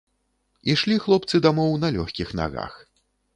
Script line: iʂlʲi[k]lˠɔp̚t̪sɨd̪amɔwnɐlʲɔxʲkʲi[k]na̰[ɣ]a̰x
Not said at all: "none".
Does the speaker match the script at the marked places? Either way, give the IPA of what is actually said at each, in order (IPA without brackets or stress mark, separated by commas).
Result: x, x, ɣ